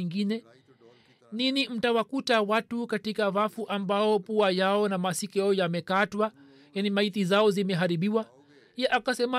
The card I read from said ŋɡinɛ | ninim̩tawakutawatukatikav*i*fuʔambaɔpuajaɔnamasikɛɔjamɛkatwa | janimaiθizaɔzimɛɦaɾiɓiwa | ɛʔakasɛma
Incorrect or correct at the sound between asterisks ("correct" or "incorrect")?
incorrect